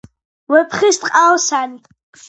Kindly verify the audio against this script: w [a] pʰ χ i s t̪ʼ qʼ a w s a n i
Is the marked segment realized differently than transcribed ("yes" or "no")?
yes